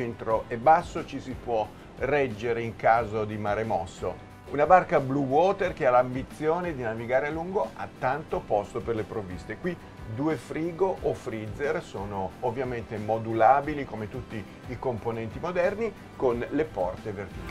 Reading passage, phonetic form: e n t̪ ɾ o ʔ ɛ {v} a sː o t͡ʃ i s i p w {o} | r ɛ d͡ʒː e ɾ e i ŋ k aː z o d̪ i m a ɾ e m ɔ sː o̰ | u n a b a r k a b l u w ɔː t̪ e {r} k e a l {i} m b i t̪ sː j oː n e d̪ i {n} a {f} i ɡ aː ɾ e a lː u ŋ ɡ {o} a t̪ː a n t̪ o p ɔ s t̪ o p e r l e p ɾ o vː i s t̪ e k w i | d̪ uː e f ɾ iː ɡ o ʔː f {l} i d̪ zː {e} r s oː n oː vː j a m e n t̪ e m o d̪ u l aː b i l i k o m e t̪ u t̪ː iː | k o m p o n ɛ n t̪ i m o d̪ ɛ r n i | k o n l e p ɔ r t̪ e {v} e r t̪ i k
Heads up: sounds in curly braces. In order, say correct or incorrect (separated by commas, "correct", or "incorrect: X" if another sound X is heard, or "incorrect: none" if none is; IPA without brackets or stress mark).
incorrect: b, incorrect: ɔ, correct, incorrect: a, correct, incorrect: v, correct, incorrect: ɾ, correct, correct